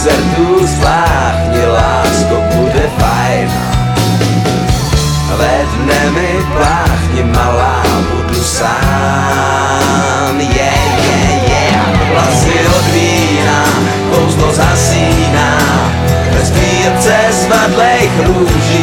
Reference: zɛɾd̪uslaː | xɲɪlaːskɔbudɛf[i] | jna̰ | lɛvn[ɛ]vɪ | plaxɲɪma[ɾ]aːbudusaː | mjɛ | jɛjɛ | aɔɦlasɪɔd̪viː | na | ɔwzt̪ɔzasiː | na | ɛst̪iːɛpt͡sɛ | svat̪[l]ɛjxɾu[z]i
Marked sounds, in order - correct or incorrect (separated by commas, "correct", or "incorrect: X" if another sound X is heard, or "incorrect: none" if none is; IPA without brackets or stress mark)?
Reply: incorrect: a, correct, incorrect: l, correct, incorrect: ʒ